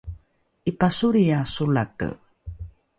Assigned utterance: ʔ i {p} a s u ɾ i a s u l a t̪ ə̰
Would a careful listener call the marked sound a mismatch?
no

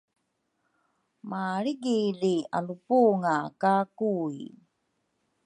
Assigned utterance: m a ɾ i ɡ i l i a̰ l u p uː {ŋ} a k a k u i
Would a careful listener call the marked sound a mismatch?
no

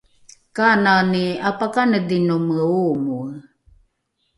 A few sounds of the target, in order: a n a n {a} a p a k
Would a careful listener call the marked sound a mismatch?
yes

